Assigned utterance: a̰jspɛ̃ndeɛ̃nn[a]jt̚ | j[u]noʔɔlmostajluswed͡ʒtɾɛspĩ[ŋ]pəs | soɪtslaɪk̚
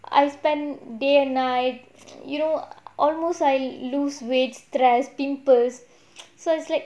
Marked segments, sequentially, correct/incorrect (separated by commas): correct, correct, incorrect